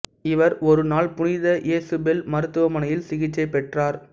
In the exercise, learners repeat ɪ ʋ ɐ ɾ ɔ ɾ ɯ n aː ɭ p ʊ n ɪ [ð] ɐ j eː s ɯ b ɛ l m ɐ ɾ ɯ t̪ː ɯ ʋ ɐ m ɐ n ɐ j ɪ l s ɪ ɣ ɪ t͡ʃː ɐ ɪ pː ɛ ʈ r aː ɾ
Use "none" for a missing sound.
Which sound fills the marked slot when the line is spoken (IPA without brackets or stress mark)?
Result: ð